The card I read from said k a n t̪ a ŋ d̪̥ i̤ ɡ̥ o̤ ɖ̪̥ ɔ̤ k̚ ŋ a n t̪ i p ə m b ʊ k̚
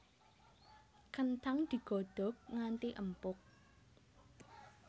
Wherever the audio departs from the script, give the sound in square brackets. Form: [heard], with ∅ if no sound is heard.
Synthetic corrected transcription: k [ə] n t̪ a ŋ d̪̥ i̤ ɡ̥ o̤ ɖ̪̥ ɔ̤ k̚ ŋ a n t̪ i [ʔ] ə m [p] ʊ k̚

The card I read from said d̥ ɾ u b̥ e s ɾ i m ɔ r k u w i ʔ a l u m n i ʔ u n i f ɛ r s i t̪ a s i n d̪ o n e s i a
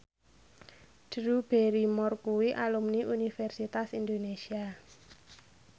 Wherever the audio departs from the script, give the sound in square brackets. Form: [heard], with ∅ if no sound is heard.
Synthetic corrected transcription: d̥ ɾ u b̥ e [∅] ɾ i m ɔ r k u w i ʔ a l u m n i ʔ u n i f ɛ r s i t̪ a s i n d̪ o n e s i a

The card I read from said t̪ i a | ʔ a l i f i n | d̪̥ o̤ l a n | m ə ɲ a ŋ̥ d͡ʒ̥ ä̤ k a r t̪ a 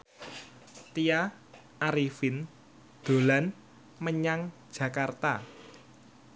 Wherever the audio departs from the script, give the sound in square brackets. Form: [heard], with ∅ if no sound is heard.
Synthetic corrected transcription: t̪ i a | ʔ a [ɾ] i f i n | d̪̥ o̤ l a n | m ə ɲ a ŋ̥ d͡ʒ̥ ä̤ k a r t̪ a

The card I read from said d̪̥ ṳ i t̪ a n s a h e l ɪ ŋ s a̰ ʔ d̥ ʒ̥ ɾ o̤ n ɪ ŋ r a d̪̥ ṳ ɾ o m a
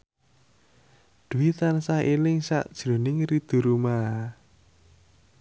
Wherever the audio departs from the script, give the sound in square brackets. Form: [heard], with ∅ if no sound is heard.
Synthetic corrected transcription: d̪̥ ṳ i t̪ a n s a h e l ɪ ŋ s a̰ ʔ d̥ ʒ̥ ɾ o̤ n ɪ ŋ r [i] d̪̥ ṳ ɾ [u] m a

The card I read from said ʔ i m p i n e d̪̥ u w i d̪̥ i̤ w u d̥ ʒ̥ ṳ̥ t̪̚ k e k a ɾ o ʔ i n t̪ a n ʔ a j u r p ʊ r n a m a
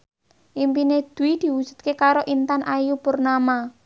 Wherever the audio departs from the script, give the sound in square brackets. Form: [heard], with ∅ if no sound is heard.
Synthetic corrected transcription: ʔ i m p i n e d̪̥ u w i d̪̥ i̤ w u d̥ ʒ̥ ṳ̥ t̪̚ k e k a ɾ o ʔ i n t̪ a n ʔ a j u [∅] p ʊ r n a m a

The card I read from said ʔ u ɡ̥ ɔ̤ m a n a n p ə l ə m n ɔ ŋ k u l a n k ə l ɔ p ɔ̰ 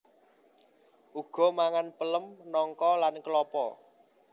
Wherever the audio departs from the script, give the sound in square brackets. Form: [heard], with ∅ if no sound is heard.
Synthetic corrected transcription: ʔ u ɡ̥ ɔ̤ m a [ŋ] a n p ə l ə m n ɔ ŋ k [ɔ] l a n k ə l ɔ p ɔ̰

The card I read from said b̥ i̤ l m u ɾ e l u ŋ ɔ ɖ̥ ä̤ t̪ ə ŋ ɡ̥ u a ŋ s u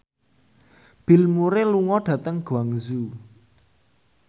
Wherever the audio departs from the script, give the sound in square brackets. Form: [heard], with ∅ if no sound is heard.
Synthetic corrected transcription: b̥ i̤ l m u ɾ e l u ŋ ɔ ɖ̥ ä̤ t̪ ə ŋ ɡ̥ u a ŋ [z] u

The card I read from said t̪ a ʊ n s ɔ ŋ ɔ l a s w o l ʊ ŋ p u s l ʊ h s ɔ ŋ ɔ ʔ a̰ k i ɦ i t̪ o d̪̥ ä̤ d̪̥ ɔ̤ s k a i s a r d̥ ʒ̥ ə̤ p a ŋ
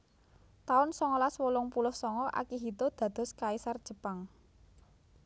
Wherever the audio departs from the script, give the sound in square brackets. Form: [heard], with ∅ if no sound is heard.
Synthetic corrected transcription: t̪ a ʊ n s ɔ ŋ ɔ l a s w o l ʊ ŋ p u [∅] l ʊ h s ɔ ŋ ɔ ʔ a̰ k i ɦ i t̪ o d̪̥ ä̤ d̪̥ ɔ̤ s k a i s a r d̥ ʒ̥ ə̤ p a ŋ

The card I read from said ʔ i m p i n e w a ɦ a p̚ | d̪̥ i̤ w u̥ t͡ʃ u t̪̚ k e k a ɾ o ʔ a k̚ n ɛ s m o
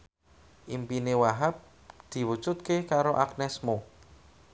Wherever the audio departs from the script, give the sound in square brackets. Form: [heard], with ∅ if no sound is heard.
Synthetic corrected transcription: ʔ i m p i n e w a ɦ a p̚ | d̪̥ i̤ w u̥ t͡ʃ u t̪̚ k e k a ɾ o ʔ a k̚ n ɛ s m o

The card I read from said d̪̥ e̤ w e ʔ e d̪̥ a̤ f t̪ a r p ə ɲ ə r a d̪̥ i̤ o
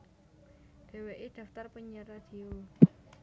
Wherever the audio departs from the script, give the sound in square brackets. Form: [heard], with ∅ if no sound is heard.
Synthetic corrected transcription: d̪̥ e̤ w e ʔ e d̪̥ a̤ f t̪ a r p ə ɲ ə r a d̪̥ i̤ o

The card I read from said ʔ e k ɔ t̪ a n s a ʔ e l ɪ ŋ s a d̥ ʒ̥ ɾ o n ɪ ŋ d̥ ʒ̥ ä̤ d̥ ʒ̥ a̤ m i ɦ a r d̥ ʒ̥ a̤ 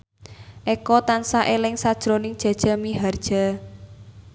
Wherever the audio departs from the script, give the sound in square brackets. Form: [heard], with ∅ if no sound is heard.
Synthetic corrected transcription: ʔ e k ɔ t̪ a n s a ʔ e l ɪ ŋ s a d̥ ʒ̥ ɾ o n ɪ ŋ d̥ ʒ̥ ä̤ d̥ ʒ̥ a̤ m i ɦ a r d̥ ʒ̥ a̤

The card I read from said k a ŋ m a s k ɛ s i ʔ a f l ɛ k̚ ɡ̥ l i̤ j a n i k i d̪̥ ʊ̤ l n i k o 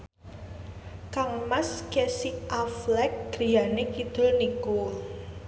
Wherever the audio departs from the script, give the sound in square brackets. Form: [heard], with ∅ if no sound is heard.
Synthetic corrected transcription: k a ŋ m a s k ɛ s i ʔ a f l ɛ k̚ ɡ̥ [ɾ] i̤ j a n [e] k i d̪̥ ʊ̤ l n i k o

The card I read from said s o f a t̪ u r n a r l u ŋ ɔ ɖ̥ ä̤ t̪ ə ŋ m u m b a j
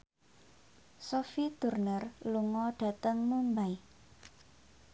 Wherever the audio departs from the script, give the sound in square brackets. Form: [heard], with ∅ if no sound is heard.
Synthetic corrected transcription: s o f [i] t̪ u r n [ə] r l u ŋ ɔ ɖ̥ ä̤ t̪ ə ŋ m u m b a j

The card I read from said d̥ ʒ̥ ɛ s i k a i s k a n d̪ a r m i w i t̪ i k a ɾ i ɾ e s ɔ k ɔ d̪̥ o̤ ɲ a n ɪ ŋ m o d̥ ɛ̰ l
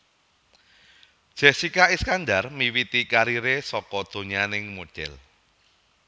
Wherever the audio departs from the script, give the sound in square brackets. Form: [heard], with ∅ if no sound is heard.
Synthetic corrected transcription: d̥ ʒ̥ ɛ s i k a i s k a n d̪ a r m i w i t̪ i k a ɾ i ɾ e s ɔ k ɔ d̪̥ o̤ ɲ a n ɪ ŋ m o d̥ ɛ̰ l

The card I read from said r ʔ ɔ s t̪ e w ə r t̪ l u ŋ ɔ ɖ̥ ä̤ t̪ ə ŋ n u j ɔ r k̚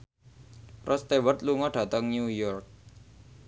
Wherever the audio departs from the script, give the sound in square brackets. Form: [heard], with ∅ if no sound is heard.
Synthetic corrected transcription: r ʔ ɔ s t̪ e w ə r t̪ l u ŋ ɔ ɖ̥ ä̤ t̪ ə ŋ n u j ɔ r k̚

